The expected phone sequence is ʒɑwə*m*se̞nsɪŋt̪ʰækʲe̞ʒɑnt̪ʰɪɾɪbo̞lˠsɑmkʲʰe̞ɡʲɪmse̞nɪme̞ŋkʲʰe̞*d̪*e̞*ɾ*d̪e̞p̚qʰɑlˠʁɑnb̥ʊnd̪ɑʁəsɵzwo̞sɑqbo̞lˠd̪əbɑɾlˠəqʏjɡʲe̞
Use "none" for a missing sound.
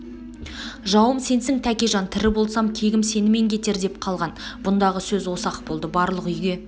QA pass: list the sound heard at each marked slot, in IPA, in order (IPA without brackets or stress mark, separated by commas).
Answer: m, t̪, ɾ